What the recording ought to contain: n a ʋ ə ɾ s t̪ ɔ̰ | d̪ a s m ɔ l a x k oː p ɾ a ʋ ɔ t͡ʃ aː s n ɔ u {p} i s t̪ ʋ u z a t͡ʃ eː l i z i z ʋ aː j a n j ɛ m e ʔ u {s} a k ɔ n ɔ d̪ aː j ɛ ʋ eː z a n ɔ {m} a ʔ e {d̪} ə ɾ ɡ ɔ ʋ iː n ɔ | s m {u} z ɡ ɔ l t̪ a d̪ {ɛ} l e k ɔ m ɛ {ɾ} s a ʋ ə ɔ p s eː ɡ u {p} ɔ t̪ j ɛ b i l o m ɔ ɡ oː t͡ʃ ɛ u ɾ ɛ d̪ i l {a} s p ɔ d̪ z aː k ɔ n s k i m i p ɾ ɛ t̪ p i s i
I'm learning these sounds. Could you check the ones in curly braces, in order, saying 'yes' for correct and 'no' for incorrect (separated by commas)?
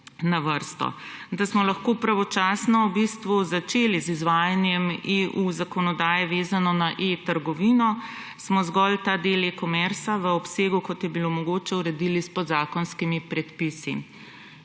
no, no, no, no, no, no, yes, no, no